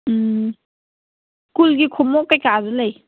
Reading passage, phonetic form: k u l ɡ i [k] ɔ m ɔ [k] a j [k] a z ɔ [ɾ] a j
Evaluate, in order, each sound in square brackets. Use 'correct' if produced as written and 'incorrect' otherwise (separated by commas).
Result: incorrect, correct, correct, incorrect